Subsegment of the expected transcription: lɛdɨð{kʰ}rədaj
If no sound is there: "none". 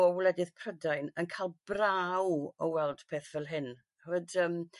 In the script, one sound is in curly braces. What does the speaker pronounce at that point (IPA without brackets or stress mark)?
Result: pʰ